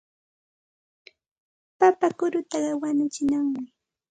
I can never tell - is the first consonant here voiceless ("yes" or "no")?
yes